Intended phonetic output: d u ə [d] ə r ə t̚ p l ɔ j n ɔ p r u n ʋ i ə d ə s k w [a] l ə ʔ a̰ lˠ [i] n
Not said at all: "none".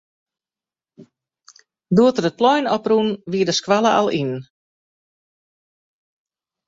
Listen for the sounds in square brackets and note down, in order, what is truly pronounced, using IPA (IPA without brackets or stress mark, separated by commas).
t, a, i